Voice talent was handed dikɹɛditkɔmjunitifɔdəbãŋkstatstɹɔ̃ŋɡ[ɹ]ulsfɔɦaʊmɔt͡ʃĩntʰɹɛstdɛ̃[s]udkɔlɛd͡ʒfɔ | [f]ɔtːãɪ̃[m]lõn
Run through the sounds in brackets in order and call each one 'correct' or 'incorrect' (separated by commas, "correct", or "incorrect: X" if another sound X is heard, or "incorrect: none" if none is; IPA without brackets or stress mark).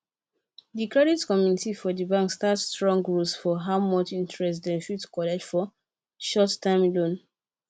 correct, incorrect: ʃ, incorrect: ʃ, correct